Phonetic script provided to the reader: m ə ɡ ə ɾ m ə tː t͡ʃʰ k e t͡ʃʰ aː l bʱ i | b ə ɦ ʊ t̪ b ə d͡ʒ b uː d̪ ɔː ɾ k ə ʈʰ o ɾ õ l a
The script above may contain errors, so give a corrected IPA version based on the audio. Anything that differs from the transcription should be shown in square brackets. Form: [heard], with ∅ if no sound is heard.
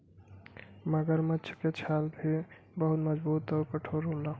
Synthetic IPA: m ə ɡ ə ɾ m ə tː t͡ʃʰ k e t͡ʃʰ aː l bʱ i | b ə ɦ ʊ t̪ [m] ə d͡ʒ b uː [t̪] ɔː ɾ k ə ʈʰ o ɾ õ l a